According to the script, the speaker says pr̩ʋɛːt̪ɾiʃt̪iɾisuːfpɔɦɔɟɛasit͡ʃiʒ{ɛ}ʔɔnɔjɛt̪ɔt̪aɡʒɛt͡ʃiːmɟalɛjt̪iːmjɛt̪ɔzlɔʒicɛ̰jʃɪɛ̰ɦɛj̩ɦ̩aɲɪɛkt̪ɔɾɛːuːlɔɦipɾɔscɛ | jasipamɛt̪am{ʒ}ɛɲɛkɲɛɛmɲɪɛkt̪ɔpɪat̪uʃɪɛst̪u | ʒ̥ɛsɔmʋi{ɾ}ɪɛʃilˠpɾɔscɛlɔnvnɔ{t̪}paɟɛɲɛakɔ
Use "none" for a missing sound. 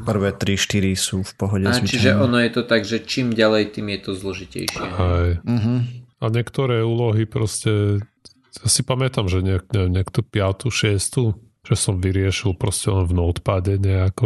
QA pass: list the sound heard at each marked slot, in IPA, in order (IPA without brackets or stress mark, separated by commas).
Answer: ɛ, ʒ, ɾ, t̪